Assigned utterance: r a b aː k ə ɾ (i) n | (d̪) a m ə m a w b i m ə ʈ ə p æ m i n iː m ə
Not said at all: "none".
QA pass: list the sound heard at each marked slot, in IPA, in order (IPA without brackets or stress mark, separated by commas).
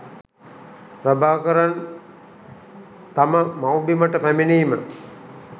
a, t̪